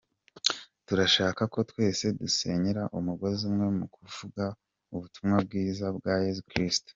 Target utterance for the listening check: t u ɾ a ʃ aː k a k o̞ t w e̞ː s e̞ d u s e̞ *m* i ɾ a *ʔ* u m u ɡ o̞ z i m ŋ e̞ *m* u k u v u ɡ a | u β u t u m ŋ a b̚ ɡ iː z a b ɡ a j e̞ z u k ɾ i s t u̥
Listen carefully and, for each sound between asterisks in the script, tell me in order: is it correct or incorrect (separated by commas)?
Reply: incorrect, correct, correct